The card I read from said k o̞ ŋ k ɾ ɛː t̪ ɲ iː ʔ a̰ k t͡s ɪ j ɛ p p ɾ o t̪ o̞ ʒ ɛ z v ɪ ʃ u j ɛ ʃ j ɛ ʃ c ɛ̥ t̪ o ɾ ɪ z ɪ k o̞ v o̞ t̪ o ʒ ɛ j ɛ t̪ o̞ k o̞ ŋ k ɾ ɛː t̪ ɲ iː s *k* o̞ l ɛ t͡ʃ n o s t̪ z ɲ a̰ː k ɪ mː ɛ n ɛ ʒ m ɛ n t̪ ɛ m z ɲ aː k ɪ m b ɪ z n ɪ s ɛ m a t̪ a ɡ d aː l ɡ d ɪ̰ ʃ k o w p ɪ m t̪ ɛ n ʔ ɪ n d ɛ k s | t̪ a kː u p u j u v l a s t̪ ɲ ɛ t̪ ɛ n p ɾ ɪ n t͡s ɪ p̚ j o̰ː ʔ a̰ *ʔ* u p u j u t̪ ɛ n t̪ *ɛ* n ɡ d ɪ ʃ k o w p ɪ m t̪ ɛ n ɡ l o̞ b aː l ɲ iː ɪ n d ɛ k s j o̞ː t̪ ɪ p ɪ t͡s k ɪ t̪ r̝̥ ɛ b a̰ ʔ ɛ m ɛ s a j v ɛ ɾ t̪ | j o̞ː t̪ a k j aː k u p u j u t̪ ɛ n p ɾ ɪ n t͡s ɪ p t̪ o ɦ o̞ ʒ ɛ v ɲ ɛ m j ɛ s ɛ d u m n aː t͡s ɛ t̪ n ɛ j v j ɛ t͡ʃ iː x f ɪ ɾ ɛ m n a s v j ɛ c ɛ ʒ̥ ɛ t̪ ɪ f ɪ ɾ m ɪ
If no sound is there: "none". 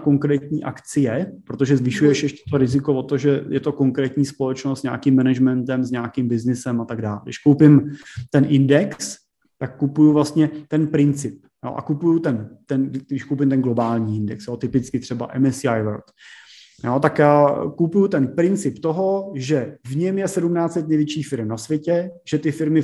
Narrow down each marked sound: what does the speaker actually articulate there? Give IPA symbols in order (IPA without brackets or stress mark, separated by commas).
p, k, ɛ